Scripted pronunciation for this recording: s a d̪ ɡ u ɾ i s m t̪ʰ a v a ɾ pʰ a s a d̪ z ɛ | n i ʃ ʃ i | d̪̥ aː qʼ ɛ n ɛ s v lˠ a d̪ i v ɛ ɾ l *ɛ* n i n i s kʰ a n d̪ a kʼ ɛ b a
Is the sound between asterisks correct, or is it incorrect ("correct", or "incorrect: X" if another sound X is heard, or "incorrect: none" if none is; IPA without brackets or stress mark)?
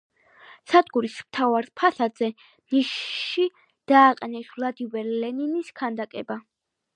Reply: correct